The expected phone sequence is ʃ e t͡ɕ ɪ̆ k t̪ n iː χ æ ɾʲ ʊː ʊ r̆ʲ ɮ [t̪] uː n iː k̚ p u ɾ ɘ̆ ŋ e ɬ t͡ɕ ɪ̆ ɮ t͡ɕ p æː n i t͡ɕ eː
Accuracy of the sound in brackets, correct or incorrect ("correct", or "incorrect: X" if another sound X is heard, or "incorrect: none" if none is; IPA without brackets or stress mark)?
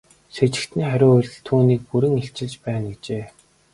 incorrect: t̪ʰ